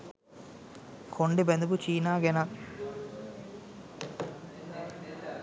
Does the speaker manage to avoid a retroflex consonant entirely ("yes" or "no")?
no